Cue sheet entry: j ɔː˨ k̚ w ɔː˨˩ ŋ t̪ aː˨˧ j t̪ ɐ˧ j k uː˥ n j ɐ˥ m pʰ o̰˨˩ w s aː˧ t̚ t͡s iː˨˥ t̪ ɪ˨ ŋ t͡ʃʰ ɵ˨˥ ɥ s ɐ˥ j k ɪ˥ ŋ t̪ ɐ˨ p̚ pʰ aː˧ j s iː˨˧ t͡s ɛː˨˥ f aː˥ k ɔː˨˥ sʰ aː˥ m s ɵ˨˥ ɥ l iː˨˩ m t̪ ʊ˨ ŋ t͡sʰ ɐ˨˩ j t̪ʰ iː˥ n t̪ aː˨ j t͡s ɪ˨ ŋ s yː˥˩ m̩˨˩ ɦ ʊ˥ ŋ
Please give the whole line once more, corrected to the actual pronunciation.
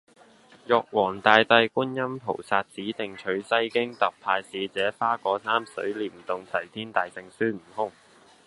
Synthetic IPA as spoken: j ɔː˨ k̚ w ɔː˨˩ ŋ t̪ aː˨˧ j t̪ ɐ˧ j k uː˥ n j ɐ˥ m pʰ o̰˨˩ w s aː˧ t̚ t͡s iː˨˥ t̪ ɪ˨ ŋ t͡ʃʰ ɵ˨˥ ɥ s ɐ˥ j k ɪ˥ ŋ t̪ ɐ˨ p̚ pʰ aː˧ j s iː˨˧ t͡s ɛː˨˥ f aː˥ k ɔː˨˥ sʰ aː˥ m s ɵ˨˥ ɥ l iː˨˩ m t̪ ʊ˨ ŋ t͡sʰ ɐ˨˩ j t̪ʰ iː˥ n t̪ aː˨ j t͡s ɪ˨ ŋ s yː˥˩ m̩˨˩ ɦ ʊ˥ ŋ